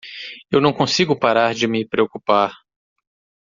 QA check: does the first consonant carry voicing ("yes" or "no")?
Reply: yes